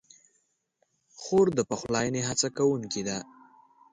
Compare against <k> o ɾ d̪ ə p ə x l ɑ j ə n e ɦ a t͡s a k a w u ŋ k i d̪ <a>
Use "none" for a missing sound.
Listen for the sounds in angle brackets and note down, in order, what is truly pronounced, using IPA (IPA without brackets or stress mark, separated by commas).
x, a